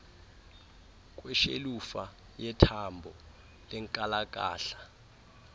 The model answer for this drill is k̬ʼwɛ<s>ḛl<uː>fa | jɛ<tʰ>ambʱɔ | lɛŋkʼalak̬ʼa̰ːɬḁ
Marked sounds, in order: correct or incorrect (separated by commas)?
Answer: incorrect, incorrect, correct